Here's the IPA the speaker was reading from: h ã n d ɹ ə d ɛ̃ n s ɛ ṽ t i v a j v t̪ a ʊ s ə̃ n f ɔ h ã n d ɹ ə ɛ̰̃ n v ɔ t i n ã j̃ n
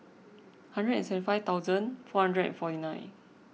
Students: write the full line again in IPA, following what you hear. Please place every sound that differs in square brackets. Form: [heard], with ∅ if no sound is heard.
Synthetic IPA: h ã n d ɹ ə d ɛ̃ n s ɛ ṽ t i [f] a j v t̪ a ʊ [z] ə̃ n f ɔ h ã n d ɹ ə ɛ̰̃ n [f] ɔ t i n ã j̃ n